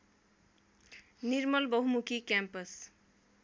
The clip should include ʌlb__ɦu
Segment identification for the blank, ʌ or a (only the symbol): ʌ